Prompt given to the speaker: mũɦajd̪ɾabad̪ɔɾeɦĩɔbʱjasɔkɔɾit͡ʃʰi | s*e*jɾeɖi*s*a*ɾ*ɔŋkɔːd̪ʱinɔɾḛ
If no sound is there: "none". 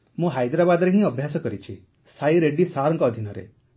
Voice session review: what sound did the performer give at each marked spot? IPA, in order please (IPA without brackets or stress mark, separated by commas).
a, s, ɾ